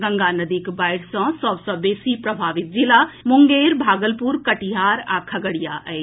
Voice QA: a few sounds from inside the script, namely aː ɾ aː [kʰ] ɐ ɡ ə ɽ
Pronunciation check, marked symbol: correct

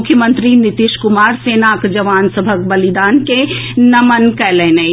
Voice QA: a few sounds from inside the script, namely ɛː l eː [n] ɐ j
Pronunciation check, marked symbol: correct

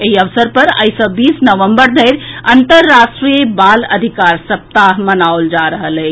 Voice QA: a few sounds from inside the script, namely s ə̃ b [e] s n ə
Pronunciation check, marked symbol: incorrect: i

